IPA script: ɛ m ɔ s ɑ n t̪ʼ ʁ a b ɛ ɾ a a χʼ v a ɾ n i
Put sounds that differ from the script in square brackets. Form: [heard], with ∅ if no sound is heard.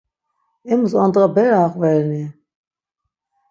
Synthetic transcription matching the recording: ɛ m [u] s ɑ n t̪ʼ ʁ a b ɛ ɾ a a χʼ v [ɛ] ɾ n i